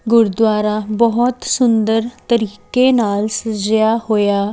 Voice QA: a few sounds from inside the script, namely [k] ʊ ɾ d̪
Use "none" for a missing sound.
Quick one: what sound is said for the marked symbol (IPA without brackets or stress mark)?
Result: ɡ